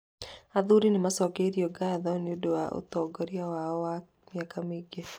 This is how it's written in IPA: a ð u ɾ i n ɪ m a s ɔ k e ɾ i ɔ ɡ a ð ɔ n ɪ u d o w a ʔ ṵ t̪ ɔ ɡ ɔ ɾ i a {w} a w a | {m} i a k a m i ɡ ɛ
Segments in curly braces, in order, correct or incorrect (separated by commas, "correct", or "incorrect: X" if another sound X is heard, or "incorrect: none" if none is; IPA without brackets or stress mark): correct, correct